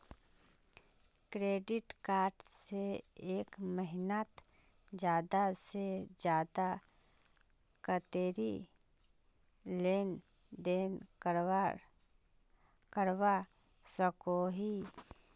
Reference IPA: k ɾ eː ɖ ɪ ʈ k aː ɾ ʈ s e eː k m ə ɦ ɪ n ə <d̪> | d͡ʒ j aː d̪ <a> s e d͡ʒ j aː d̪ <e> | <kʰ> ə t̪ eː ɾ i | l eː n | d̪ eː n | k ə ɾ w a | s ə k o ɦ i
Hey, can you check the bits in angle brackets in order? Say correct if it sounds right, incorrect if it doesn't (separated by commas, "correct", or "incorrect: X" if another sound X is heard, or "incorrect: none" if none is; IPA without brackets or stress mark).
incorrect: t̪, correct, incorrect: a, incorrect: k